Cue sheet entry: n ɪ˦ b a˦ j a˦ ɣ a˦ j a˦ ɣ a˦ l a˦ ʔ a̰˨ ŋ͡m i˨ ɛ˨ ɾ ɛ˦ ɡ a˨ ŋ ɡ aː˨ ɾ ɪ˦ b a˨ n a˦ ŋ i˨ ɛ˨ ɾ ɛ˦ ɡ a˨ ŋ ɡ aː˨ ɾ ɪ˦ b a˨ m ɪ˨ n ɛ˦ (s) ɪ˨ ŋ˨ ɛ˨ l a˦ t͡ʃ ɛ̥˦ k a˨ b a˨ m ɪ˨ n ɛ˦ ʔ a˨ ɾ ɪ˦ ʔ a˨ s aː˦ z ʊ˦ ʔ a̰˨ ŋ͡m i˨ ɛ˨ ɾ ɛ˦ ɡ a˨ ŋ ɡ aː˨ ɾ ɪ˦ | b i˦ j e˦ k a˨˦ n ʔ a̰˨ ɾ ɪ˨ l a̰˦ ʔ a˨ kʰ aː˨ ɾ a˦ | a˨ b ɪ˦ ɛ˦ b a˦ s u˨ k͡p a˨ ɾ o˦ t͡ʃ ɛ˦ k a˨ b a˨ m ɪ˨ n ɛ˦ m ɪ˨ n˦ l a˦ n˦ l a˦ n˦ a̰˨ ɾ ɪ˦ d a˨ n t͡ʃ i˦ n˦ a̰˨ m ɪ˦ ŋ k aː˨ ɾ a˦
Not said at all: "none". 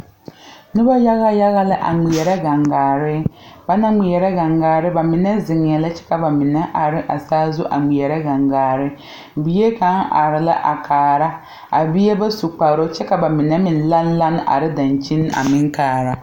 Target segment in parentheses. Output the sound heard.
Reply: z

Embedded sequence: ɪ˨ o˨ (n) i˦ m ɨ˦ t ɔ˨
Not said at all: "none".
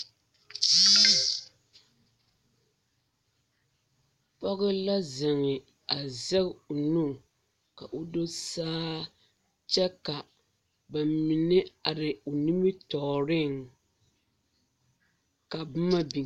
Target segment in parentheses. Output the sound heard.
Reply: n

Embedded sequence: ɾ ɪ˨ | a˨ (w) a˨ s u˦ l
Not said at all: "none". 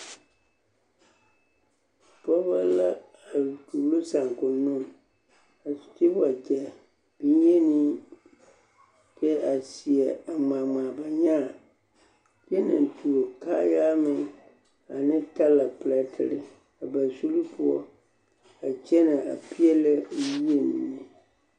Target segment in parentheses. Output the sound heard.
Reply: b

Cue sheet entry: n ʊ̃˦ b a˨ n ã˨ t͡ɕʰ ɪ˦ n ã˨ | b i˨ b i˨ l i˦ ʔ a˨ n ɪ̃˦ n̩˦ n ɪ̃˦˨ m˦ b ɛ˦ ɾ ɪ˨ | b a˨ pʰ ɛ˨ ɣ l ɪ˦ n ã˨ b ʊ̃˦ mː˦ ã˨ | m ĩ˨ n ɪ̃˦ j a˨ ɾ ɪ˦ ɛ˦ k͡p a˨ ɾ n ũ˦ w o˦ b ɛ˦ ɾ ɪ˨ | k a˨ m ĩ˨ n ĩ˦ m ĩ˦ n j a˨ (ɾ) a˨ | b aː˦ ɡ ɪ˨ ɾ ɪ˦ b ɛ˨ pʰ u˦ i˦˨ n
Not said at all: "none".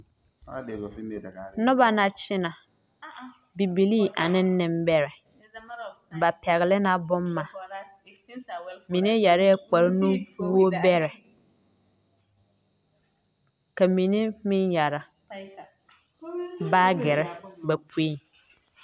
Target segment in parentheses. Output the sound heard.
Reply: ɾ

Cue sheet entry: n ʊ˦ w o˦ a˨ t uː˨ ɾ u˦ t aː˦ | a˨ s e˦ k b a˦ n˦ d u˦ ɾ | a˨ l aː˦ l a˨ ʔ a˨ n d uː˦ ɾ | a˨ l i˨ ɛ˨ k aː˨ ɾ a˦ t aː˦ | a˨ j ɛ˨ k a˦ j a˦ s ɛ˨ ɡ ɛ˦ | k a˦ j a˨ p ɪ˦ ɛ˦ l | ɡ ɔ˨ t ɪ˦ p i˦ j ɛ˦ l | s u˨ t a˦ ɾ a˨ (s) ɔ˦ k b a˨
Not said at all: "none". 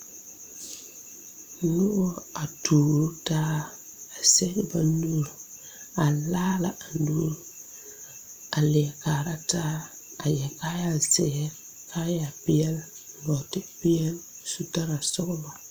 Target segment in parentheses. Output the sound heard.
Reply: s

